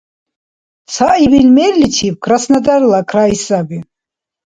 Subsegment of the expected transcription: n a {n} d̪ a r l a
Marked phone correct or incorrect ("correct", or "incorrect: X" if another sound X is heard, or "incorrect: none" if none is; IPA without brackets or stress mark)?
incorrect: none